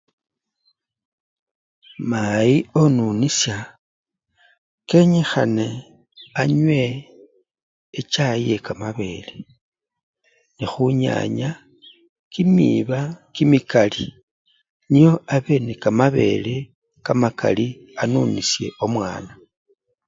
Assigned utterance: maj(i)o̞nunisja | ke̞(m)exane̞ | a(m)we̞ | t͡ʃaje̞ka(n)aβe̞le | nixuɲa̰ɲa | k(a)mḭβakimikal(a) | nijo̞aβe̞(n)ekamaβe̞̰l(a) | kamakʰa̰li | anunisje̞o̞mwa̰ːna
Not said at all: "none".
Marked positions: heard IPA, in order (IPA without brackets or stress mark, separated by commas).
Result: i, ɲ, ɲ, m, i, i, n, e